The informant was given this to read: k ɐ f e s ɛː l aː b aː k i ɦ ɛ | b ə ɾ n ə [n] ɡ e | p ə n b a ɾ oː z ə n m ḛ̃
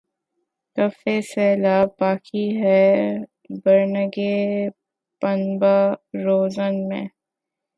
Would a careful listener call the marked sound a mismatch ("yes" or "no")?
yes